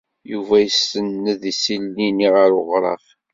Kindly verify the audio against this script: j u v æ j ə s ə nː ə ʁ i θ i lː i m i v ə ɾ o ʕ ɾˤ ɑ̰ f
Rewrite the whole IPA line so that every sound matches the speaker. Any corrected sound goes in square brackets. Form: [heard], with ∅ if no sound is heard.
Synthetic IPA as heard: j u v æ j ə s ə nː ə [ð] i [s] i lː i [n] i [ʁ] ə ɾ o [ʁ] ɾˤ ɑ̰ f